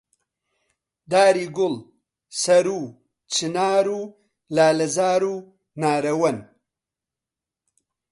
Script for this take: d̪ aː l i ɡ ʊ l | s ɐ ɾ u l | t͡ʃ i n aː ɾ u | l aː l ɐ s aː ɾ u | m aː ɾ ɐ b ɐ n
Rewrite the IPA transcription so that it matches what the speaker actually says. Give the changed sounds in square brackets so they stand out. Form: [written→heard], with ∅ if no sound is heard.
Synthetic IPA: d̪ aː [l→ɾ] i ɡ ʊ l | s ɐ ɾ u [l→∅] | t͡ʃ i n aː ɾ u | l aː l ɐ [s→z] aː ɾ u | [m→n] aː ɾ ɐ [b→w] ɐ n